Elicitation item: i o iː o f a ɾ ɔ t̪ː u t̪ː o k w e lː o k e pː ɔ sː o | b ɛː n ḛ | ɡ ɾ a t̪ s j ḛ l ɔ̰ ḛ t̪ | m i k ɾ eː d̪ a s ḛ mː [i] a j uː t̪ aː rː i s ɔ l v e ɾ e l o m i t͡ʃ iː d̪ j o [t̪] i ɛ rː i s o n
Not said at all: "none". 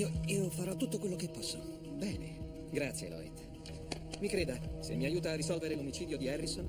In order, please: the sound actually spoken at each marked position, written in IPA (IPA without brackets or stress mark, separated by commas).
i, d̪